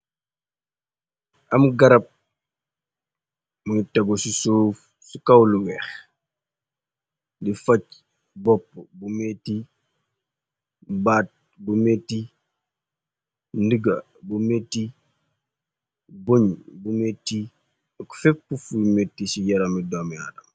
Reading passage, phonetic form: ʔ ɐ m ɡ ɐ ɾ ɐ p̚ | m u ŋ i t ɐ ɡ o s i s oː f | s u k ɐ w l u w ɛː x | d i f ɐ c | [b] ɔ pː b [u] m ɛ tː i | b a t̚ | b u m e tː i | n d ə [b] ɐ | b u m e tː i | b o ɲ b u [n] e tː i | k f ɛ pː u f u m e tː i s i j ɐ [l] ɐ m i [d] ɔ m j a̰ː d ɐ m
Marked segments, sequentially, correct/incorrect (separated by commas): correct, correct, incorrect, incorrect, incorrect, correct